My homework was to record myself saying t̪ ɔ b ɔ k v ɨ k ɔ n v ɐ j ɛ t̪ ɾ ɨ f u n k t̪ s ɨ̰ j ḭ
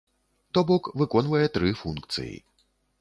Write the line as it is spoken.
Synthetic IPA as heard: t̪ ɔ b ɔ k v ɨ k ɔ n v ɐ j ɛ t̪ ɾ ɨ f u n k t̪ s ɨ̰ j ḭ